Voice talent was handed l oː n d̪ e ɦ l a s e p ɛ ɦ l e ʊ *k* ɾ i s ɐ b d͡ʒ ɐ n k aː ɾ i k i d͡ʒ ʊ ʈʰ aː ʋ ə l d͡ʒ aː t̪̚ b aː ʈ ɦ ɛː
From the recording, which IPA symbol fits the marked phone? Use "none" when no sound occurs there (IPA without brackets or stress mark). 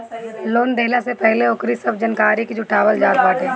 k